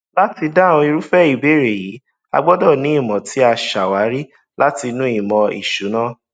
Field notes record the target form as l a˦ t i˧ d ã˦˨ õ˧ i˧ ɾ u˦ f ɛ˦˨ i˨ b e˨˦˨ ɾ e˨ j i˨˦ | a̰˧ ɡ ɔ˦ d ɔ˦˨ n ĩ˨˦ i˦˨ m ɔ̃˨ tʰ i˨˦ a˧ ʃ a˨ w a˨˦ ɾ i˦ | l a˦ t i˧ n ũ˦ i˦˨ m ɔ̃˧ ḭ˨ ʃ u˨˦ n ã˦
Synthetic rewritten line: l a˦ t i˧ d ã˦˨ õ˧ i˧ ɾ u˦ f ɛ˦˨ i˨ b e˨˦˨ ɾ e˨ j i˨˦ | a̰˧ ɡ͡b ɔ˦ d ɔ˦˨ n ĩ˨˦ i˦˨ m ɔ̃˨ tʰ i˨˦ a˧ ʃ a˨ w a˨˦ ɾ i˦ | l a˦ t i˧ n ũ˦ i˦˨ m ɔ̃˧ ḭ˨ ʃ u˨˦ n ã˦